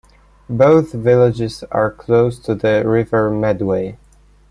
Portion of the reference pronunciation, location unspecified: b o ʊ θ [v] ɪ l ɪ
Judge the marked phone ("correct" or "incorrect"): correct